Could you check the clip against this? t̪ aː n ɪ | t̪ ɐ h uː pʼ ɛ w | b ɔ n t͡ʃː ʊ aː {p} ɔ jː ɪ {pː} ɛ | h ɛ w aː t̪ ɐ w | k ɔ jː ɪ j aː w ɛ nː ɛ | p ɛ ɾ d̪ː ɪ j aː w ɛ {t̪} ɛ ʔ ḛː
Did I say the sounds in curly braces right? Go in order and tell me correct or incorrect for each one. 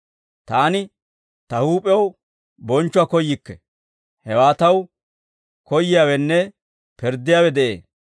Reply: incorrect, incorrect, incorrect

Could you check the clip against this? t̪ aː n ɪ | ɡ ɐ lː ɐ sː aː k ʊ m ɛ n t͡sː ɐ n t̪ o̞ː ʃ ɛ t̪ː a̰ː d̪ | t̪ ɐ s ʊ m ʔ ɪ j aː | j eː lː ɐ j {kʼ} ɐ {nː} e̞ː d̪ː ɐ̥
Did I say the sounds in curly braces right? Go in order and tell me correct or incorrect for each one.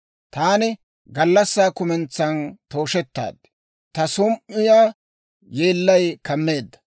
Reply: incorrect, incorrect

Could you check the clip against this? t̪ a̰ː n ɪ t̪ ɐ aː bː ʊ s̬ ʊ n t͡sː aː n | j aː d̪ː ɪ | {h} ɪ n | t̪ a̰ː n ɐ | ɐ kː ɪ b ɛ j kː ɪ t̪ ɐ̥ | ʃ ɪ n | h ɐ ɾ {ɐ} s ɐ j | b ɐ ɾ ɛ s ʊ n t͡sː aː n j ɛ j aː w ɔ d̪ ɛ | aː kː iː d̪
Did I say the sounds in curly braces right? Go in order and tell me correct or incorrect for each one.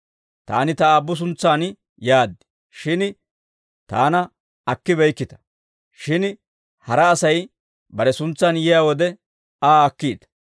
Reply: incorrect, incorrect

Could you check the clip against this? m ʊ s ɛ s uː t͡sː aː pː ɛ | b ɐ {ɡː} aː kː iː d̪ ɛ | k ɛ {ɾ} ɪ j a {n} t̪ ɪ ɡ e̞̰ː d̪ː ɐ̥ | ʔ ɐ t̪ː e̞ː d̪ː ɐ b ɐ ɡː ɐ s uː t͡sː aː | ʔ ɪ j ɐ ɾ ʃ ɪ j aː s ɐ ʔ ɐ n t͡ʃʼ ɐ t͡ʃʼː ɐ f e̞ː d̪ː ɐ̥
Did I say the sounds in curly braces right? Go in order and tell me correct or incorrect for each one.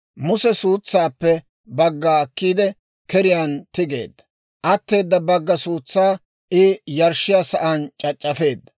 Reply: correct, correct, correct

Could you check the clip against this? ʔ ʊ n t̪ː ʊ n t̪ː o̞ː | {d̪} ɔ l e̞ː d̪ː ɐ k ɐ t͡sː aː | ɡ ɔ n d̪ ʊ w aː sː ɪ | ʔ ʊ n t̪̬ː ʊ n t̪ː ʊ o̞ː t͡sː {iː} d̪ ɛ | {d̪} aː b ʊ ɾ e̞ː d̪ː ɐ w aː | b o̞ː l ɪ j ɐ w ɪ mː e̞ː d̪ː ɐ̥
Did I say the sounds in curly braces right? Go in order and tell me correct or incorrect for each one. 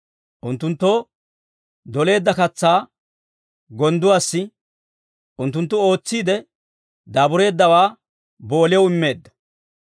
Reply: correct, correct, correct

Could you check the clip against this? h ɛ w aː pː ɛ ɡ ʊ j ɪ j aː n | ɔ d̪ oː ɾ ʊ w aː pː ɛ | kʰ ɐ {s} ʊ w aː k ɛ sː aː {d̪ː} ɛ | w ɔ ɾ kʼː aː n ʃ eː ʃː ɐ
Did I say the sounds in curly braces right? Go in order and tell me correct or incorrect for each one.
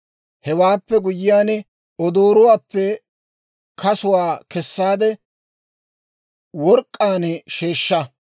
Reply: correct, incorrect

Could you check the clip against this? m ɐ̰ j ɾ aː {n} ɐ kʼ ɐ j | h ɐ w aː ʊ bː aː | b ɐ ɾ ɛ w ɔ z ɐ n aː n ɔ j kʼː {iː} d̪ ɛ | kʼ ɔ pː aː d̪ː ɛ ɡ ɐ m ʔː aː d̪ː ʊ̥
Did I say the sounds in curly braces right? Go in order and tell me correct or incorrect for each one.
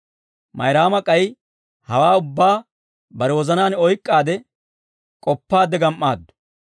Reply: incorrect, incorrect

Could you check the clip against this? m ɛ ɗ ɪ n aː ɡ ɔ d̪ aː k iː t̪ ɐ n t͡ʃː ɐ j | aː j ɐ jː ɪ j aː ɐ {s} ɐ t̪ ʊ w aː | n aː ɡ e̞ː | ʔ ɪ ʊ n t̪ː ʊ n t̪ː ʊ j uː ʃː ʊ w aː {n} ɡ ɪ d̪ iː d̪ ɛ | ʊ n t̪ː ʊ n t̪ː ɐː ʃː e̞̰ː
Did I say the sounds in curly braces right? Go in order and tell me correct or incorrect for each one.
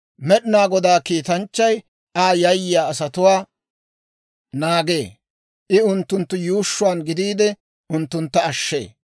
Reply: correct, correct

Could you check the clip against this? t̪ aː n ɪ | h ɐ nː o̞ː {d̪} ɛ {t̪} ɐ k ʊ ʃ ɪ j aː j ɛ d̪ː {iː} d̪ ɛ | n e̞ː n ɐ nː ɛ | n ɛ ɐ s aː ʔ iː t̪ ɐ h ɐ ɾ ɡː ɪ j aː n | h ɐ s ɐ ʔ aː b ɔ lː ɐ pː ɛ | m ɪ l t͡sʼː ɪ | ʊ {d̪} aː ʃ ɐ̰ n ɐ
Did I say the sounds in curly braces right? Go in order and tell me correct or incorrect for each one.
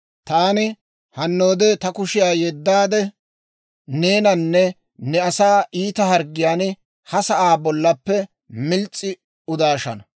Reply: correct, correct, incorrect, correct

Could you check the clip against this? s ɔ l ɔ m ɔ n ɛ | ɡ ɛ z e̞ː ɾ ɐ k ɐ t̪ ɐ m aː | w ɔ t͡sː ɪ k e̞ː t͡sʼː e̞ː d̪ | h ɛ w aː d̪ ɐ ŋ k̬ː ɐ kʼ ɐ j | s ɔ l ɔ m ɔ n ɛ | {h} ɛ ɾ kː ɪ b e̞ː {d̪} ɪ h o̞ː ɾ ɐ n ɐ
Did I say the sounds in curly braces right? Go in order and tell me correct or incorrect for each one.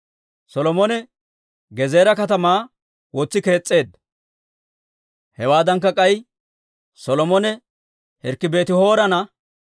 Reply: correct, incorrect

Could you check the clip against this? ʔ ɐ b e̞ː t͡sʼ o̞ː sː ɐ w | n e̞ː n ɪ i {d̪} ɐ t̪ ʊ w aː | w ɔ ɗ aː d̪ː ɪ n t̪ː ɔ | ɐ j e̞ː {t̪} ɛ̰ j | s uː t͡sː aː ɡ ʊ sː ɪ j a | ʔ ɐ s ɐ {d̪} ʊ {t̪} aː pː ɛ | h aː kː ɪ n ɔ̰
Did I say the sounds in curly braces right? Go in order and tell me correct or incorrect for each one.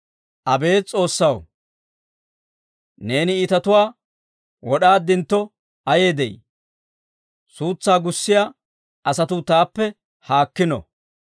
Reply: incorrect, incorrect, incorrect, correct

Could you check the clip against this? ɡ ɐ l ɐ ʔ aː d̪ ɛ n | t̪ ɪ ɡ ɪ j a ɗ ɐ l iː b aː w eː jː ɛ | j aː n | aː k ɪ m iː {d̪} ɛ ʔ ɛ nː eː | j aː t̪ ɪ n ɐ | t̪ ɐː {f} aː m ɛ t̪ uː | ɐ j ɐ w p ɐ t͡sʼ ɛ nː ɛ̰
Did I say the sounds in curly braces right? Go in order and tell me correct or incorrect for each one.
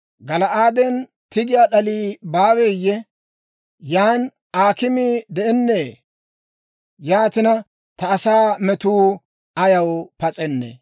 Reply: correct, incorrect

